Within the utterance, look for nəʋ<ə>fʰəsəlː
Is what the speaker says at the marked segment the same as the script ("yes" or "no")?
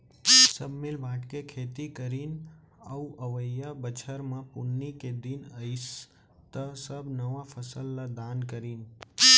no